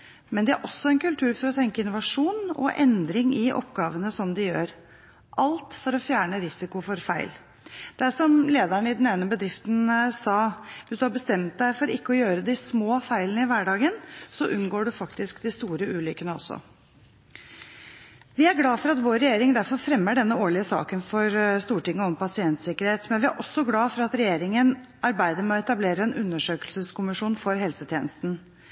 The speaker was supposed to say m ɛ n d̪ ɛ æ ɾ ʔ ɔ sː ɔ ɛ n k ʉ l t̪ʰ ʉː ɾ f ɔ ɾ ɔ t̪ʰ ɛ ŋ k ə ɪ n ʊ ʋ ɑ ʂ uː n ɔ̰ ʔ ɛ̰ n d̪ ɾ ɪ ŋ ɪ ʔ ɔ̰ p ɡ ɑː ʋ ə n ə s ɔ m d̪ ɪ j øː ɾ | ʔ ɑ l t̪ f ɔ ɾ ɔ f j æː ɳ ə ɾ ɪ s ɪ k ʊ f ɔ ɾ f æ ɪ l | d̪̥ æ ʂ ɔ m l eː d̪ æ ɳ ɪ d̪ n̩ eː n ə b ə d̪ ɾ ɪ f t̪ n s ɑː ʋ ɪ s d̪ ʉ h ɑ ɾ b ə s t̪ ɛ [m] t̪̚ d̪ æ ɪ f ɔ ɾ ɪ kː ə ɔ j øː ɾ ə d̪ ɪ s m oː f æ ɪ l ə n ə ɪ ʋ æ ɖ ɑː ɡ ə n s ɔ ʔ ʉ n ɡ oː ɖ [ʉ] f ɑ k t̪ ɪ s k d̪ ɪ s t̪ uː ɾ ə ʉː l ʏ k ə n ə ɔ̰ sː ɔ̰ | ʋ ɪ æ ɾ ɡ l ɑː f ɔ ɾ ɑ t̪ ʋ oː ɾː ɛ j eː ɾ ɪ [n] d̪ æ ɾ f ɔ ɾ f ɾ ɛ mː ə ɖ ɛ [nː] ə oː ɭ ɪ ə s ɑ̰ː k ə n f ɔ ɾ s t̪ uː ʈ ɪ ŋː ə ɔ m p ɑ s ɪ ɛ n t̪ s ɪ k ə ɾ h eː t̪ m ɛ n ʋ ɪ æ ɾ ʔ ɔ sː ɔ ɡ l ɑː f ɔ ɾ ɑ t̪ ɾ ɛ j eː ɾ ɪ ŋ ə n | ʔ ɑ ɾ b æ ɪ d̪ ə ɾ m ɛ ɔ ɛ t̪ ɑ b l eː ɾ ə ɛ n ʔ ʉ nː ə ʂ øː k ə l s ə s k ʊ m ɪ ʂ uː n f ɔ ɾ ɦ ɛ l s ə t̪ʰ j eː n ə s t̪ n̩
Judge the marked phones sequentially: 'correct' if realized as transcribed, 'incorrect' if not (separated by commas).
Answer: correct, correct, incorrect, correct